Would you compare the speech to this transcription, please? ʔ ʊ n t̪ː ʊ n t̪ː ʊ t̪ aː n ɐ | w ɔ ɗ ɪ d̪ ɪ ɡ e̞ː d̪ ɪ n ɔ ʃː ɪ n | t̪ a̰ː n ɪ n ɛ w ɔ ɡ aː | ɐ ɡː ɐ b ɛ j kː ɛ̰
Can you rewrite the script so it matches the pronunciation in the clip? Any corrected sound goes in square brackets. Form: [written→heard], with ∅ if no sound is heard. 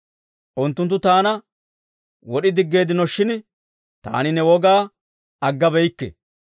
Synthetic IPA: ʔ ʊ n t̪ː ʊ n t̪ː ʊ t̪ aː n ɐ | w ɔ ɗ ɪ d̪ ɪ [ɡ→ɡː] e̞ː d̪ ɪ n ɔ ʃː ɪ n | t̪ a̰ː n ɪ n ɛ w ɔ ɡ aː | ɐ ɡː ɐ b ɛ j kː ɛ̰